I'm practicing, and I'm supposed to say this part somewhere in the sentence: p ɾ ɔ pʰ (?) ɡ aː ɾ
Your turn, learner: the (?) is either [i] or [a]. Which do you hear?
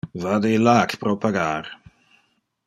a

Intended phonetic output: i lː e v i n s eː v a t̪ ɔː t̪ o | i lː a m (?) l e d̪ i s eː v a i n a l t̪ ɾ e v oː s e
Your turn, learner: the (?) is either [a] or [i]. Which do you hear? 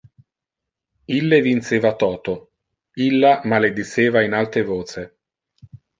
a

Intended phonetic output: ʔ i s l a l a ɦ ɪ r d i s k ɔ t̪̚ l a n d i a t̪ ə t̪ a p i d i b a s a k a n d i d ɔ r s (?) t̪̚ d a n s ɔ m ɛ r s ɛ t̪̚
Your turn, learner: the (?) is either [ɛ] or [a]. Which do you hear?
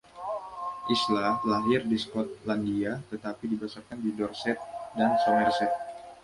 ɛ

